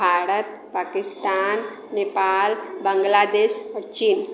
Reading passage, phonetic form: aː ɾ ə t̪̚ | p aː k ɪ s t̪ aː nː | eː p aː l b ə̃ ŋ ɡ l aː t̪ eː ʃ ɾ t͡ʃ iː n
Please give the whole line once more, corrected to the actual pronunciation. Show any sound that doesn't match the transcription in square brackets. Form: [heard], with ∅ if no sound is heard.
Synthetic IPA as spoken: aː ɾ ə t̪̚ | p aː k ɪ s t̪ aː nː | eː p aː l b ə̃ ŋ ɡ l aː [d̪] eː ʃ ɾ t͡ʃ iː n